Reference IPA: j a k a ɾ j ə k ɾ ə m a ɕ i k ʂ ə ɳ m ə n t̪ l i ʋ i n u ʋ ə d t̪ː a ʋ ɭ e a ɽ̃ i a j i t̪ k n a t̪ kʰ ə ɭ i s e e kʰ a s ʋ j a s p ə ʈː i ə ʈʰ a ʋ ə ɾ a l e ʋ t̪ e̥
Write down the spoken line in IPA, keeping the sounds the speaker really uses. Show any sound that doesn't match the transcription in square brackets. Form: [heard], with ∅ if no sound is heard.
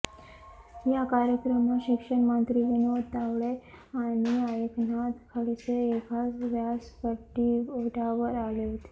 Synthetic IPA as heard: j a k a ɾ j ə k ɾ ə m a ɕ i k ʂ ə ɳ m ə n t̪ [ɾ] i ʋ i n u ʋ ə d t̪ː a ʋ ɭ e a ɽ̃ i a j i [∅] k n a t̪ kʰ ə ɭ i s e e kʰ a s ʋ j a s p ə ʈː i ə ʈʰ a ʋ ə ɾ a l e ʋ t̪ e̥